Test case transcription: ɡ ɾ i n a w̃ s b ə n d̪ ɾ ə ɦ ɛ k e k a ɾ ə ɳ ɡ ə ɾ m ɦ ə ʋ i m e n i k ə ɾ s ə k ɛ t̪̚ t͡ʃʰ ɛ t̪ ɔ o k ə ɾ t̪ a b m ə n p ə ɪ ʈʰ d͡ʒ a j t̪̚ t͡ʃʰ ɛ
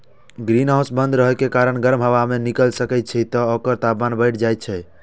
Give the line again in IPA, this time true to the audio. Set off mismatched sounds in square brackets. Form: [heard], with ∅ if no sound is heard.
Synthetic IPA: ɡ ɾ i n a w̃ s b ə n d̪ ɾ ə ɦ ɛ k e k a ɾ ə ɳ ɡ ə ɾ m ɦ ə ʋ [a] m e n i k ə [l] s ə k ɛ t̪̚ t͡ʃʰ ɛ t̪ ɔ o k ə ɾ t̪ a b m [a] n [b] ə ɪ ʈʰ d͡ʒ a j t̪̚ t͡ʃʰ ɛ